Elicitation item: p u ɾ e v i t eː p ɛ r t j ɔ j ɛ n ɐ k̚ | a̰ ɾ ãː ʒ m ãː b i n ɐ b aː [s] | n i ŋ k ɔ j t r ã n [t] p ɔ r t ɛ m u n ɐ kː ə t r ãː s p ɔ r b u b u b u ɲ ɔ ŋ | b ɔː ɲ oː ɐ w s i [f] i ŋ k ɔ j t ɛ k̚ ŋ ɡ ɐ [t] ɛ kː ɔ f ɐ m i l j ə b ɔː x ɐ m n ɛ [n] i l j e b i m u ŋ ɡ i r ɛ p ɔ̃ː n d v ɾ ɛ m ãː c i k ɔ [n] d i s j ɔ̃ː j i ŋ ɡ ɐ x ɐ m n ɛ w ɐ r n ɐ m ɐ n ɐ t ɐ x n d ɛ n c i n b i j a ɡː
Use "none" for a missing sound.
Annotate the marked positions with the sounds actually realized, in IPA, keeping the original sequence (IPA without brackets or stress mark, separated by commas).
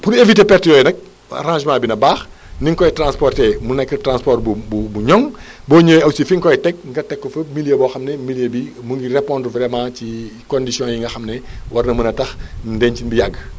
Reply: x, s, f, t, m, n